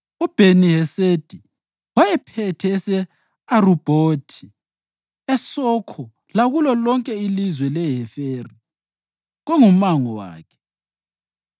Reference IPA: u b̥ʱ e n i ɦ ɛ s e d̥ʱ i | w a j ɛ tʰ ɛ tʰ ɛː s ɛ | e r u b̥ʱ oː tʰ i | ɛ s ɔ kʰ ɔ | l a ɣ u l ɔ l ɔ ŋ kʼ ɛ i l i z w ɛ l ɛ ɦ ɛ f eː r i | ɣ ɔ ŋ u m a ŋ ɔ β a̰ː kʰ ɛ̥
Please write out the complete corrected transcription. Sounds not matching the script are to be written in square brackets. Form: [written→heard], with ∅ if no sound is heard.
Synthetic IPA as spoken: u b̥ʱ e n i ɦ ɛ s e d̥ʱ i | w a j ɛ [tʰ→pʰ] ɛ tʰ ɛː s ɛ | [e→a] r u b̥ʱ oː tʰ i | ɛ s ɔ kʰ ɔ | l a ɣ u l ɔ l ɔ ŋ kʼ ɛ i l i z w ɛ l ɛ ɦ ɛ f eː r i | ɣ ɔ ŋ u m a ŋ ɔ [β→w] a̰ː kʰ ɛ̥